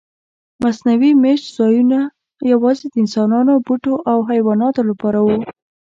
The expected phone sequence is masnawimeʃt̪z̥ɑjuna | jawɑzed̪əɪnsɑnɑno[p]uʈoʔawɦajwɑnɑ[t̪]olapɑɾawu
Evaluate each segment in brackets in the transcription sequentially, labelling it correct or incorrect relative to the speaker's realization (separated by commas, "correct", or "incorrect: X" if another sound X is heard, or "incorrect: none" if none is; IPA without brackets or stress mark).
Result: incorrect: b, correct